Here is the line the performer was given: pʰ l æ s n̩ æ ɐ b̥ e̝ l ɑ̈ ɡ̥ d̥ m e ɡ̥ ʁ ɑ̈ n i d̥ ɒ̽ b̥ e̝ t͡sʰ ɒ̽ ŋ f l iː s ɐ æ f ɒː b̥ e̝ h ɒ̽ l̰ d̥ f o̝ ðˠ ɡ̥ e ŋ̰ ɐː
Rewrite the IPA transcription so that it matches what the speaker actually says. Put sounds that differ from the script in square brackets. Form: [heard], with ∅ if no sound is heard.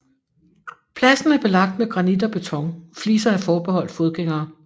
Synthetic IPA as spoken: pʰ l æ s n̩ æ ɐ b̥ e̝ l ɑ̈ ɡ̥ d̥ m e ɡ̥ ʁ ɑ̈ n i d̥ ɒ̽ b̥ e̝ t͡sʰ ɒ̽ ŋ f l iː s ɐ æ f ɒː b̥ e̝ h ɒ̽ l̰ d̥ f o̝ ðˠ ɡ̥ e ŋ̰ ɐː

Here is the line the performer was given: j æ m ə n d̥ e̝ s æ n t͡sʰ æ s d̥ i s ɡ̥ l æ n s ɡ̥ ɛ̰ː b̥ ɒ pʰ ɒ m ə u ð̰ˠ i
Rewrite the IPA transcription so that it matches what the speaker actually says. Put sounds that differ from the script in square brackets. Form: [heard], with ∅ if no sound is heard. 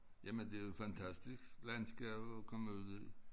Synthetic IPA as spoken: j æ m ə n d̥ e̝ [f] æ n t͡sʰ æ s d̥ i s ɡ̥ l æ n s ɡ̥ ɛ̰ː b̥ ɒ [kʰ] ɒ m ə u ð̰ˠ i

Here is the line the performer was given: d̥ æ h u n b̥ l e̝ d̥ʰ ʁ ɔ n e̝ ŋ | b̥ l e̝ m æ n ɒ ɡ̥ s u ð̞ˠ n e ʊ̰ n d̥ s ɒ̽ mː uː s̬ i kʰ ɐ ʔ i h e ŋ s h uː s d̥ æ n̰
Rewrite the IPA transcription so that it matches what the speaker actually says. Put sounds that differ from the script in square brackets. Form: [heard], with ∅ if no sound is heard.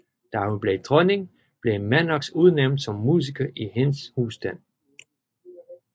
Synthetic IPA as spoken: d̥ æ h u n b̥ l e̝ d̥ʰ ʁ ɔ n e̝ ŋ | b̥ l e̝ m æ n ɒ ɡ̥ s u ð̞ˠ n e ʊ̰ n d̥ s ɒ̽ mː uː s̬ i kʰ ɐ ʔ i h e [n] s h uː s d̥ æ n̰

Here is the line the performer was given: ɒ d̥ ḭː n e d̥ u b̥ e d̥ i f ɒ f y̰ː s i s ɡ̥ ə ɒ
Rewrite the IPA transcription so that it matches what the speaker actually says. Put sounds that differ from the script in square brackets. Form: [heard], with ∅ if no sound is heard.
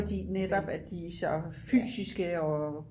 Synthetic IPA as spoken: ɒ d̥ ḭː n e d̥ [ɒ] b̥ [æ] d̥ i [s] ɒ f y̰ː s i s ɡ̥ ə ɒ

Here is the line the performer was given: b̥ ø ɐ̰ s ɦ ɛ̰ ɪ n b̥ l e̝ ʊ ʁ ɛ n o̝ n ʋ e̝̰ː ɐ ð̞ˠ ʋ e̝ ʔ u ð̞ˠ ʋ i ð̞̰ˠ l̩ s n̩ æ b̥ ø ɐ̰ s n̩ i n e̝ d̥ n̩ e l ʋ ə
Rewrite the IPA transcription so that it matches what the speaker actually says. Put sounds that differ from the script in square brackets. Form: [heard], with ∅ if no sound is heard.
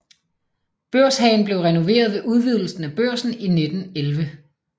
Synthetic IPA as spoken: b̥ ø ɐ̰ s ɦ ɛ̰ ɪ n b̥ l e̝ ʊ ʁ ɛ n o̝ [∅] ʋ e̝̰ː ɐ ð̞ˠ ʋ e̝ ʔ u ð̞ˠ ʋ i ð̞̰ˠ l̩ s n̩ æ b̥ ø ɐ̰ s n̩ i n e̝ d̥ n̩ e l ʋ ə

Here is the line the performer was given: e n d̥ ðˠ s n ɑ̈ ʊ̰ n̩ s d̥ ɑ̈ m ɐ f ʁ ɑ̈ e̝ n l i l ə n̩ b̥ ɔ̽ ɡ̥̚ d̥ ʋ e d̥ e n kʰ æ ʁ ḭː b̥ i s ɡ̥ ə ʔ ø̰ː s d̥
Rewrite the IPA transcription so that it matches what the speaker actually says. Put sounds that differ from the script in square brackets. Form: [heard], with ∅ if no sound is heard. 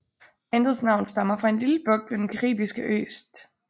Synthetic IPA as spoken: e n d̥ ðˠ s n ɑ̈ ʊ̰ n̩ s d̥ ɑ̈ m ɐ f ʁ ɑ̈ e̝ n l i l ə [∅] b̥ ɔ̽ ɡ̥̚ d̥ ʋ e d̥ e n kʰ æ ʁ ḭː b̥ i s ɡ̥ ə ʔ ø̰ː s d̥

